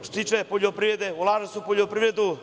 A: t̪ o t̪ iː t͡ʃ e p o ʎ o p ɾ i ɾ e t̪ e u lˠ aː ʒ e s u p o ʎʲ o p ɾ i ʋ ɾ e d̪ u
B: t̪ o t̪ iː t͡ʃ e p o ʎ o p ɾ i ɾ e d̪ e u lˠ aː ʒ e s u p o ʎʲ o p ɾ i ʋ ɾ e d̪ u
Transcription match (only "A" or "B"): B